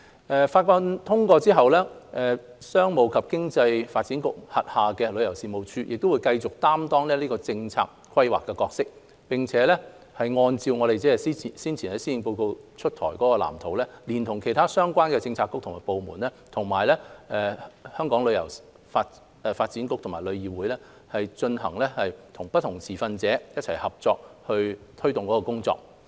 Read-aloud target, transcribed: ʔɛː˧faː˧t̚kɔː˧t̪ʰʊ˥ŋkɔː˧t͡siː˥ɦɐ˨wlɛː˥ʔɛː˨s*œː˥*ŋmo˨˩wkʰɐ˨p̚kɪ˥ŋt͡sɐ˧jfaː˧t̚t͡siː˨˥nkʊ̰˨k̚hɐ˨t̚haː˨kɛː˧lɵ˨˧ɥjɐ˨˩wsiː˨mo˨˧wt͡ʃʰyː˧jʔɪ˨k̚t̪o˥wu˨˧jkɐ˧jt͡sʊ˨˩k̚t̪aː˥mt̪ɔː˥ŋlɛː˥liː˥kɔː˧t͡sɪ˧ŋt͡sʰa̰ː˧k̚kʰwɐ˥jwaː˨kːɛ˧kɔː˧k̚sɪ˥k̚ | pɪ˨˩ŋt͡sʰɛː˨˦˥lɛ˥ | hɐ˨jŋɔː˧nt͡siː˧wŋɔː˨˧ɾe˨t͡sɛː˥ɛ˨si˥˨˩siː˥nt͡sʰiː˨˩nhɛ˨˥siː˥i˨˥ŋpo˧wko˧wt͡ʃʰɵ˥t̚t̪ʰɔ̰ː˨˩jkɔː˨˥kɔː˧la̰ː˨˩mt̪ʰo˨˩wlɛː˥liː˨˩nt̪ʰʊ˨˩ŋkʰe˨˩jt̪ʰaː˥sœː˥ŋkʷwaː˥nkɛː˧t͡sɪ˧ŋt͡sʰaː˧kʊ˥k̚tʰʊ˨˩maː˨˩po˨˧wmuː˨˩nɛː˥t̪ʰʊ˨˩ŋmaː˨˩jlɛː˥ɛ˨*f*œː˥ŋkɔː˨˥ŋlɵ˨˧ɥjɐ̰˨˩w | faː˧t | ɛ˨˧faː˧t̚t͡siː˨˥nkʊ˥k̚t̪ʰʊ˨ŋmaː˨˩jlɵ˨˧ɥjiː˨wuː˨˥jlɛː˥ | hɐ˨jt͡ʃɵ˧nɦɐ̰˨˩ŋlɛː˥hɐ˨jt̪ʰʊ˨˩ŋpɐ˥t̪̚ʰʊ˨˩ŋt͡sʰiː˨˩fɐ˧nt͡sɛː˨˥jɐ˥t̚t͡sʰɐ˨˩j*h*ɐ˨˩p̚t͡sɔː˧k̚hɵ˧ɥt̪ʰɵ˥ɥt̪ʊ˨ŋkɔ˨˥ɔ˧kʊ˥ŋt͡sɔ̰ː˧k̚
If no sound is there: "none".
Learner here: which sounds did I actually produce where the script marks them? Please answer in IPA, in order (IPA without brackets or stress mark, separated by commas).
œː˥, h, h